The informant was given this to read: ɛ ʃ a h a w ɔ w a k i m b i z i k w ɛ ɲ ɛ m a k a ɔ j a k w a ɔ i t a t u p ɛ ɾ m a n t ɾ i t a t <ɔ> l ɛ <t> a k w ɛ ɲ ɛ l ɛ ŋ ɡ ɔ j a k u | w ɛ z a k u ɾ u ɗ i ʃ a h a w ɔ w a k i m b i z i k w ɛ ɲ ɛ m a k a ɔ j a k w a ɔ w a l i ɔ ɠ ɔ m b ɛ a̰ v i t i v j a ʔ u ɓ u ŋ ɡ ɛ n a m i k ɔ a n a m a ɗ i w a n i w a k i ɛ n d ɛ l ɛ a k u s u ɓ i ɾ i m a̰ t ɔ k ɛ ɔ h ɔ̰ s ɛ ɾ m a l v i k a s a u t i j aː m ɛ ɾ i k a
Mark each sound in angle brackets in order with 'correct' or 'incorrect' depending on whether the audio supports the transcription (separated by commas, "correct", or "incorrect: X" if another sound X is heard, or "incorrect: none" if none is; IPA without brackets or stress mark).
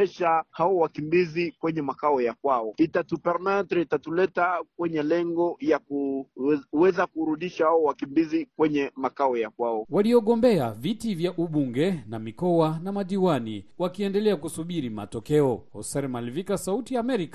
incorrect: u, correct